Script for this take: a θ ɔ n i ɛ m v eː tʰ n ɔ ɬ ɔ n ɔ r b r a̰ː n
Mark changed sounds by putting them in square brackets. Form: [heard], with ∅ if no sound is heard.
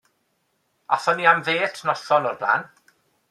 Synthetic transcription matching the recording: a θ ɔ n i [a] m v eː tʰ n ɔ ɬ ɔ n ɔ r b [l] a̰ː n